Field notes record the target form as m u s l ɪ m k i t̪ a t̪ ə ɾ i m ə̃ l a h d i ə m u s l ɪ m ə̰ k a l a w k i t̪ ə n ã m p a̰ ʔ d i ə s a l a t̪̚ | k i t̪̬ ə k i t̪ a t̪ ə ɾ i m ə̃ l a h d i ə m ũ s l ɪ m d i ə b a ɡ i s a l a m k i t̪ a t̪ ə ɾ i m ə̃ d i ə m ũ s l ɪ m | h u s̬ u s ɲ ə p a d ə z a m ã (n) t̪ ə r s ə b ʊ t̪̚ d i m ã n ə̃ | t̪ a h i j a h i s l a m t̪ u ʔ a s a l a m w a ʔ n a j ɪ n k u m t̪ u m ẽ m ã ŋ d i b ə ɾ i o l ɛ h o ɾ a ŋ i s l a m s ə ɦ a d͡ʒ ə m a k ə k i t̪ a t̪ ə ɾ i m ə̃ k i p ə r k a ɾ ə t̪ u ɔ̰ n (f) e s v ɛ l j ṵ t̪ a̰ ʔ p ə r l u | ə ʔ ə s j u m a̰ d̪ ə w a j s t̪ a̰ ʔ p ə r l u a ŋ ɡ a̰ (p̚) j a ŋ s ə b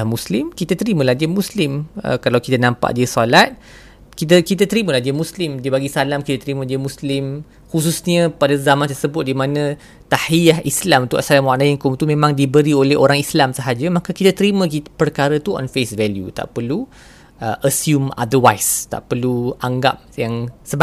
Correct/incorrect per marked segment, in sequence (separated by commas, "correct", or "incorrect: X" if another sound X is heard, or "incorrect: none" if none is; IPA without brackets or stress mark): correct, correct, correct